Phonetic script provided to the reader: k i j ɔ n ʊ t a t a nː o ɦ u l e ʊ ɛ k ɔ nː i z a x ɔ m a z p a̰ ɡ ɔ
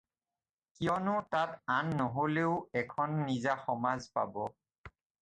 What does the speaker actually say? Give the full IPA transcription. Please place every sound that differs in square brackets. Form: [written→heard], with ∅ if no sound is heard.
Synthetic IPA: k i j ɔ n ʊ t a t a nː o ɦ [u→o] l e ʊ ɛ [k→kʰ] ɔ nː i z a x ɔ m a z p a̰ [ɡ→b] ɔ